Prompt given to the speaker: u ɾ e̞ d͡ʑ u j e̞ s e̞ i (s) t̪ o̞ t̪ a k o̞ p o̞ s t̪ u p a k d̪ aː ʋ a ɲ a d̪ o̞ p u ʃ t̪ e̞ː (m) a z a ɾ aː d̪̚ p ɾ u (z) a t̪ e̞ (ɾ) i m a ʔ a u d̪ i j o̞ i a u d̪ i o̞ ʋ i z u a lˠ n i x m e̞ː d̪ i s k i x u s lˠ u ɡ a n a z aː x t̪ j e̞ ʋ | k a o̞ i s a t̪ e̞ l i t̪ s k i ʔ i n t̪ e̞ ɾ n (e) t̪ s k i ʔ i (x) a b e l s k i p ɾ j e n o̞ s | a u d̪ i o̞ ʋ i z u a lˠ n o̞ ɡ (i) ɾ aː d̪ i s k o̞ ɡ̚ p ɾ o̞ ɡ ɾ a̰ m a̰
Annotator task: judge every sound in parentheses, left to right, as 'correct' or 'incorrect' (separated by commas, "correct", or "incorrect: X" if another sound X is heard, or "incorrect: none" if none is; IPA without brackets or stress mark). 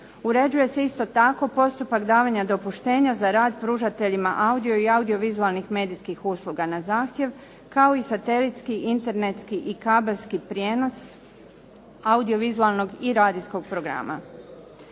correct, incorrect: ɲ, incorrect: ʒ, incorrect: ʎ, correct, incorrect: k, correct